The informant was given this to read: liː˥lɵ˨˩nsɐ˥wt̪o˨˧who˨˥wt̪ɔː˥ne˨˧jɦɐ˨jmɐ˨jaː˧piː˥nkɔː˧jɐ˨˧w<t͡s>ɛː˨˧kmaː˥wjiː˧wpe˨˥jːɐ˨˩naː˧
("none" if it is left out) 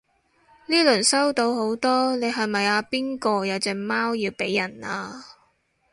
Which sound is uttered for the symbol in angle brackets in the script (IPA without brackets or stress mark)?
t͡s